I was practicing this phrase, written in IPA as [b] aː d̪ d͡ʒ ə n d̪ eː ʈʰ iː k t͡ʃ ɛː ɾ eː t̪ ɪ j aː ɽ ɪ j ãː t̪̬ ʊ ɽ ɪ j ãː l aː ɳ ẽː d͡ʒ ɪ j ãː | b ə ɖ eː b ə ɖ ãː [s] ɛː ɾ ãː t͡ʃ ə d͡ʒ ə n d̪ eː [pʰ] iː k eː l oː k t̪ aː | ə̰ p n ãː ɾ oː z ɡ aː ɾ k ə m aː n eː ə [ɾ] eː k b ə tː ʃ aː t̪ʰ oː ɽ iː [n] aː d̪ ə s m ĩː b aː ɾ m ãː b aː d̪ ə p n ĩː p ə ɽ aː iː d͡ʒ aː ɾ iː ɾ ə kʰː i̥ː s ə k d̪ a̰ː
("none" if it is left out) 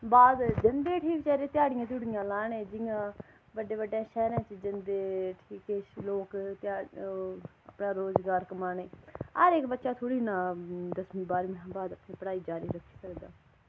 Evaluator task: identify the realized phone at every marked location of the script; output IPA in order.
b, ʃ, ʈʰ, ɾ, n

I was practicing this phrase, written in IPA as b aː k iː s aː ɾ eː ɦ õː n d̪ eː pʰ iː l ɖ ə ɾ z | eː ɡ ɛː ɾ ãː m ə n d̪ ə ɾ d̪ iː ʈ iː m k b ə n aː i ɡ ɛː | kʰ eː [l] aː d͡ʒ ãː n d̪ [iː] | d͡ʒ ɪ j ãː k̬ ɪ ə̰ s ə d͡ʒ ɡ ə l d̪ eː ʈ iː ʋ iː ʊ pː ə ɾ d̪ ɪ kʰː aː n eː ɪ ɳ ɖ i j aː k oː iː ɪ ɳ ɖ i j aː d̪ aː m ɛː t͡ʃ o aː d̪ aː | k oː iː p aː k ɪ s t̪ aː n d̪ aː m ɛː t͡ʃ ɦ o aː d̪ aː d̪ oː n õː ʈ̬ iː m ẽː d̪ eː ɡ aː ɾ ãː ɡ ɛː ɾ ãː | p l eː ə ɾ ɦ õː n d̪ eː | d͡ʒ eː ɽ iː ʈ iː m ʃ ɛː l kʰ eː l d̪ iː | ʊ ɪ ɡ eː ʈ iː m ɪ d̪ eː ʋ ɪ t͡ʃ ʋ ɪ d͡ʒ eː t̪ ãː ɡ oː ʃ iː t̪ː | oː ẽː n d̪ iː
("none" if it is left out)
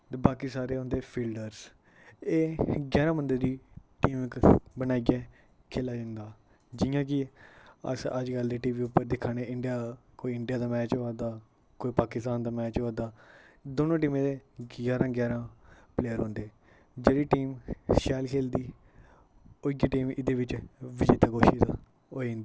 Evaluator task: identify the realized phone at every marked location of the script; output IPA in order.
l, aː

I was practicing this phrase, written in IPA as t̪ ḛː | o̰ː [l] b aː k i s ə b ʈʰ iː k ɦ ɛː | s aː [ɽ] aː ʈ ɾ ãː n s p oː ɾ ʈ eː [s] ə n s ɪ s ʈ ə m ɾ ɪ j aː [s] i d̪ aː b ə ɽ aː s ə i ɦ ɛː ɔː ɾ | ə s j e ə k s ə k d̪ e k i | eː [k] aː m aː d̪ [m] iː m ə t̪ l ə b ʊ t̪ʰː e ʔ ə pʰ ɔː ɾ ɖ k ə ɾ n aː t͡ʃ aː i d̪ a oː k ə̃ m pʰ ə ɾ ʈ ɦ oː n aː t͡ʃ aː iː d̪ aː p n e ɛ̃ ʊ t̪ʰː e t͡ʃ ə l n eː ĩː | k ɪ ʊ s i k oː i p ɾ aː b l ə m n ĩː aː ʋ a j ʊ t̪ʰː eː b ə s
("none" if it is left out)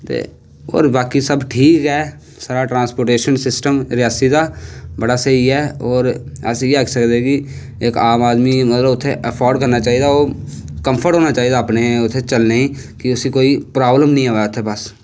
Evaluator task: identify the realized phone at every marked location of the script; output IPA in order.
ɾ, ɾ, ʃ, s, k, m

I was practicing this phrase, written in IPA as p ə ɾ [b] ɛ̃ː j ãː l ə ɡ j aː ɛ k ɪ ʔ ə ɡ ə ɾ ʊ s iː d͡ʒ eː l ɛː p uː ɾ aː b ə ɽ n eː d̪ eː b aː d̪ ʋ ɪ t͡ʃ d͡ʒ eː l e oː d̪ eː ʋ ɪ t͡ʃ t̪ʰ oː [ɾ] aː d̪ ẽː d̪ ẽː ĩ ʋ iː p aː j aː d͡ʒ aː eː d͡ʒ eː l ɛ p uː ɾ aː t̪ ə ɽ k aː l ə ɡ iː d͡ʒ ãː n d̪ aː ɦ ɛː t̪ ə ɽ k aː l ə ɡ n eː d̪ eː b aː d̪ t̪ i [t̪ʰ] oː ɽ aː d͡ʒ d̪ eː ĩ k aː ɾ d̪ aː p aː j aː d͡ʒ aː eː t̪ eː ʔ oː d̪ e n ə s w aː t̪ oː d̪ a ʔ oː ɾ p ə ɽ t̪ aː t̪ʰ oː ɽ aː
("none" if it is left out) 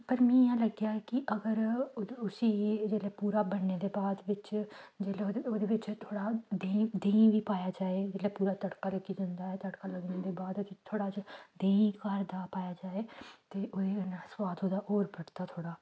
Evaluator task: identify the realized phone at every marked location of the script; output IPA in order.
m, ɽ, t̪ʰ

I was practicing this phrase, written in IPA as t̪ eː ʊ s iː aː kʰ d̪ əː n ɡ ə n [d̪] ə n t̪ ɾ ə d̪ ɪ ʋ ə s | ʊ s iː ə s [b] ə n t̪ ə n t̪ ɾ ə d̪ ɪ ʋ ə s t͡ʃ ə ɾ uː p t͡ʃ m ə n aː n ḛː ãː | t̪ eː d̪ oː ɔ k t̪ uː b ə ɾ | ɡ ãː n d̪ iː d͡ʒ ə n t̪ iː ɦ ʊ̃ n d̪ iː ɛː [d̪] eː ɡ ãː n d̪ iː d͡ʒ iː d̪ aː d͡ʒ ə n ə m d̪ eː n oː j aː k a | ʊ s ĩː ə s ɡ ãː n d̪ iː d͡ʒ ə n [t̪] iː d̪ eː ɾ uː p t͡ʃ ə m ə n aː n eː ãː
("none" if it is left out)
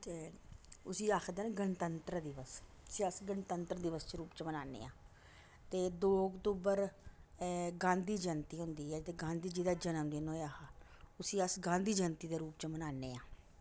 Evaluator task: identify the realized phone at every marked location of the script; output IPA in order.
t̪, ɡ, t̪, t̪

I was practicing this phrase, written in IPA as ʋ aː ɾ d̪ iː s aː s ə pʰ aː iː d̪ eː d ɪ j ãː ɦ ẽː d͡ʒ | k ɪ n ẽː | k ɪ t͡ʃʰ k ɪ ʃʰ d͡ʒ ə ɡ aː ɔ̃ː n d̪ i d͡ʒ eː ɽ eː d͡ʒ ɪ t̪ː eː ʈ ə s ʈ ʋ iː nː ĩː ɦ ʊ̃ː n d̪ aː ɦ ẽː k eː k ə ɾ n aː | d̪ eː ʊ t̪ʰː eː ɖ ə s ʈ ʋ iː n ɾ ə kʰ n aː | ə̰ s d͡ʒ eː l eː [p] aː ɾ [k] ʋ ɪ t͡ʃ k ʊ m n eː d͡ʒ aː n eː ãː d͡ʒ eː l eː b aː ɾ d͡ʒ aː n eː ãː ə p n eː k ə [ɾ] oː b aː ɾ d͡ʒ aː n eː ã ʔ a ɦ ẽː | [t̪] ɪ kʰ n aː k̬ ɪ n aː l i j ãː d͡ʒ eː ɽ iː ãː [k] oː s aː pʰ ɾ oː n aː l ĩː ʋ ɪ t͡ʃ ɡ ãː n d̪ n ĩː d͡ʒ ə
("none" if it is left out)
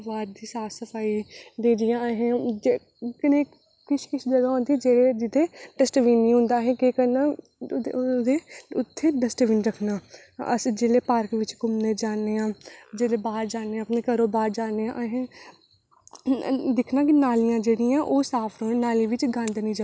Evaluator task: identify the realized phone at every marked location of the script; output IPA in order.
p, k, ɾ, d̪, ʔ

